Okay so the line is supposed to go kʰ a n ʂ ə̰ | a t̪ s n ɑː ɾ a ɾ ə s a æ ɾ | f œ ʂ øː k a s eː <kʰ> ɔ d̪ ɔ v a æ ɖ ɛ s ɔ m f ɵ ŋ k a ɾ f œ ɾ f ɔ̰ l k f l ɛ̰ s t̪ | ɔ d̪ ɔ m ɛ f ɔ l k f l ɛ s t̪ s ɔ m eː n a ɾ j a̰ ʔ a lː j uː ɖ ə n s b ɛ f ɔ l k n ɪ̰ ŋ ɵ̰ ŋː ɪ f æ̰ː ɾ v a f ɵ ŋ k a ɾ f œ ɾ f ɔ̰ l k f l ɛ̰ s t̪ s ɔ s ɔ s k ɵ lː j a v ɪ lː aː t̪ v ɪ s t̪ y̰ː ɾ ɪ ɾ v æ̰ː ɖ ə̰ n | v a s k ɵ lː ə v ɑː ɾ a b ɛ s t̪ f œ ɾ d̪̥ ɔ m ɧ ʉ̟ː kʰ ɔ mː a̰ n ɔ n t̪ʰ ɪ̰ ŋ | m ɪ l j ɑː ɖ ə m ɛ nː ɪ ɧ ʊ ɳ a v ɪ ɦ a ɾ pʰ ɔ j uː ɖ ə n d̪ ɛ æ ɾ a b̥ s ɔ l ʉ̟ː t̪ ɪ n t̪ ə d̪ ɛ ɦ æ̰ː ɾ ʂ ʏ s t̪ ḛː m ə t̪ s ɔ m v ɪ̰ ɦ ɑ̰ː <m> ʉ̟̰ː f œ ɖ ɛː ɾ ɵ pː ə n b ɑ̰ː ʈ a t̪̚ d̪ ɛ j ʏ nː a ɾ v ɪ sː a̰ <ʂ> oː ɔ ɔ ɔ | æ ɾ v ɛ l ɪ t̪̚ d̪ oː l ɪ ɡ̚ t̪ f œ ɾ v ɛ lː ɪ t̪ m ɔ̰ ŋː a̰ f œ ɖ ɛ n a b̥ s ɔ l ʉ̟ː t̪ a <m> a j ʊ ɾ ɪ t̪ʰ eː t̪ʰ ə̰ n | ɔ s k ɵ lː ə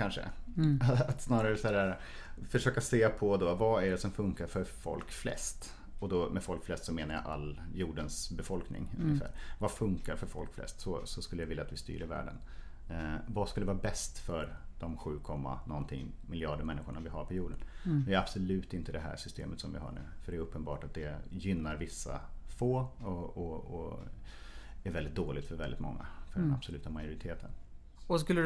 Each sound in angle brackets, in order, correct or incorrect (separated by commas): incorrect, incorrect, incorrect, correct